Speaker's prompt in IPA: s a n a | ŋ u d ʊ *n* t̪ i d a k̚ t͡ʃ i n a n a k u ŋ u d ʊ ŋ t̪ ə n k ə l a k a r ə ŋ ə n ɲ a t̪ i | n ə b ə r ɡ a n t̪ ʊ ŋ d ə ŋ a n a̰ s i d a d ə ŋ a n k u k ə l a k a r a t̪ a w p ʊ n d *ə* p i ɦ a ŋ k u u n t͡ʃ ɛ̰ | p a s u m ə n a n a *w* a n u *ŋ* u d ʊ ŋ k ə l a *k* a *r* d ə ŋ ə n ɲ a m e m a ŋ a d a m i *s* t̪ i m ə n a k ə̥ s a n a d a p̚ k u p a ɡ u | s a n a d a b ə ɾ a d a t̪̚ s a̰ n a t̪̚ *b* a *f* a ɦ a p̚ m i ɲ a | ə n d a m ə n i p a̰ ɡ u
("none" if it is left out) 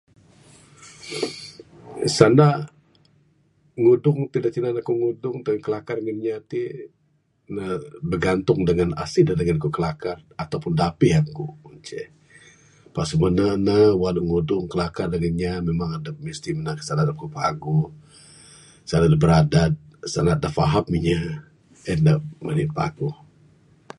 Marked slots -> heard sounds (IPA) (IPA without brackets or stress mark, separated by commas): ŋ, a, w, ŋ, k, r, s, d, f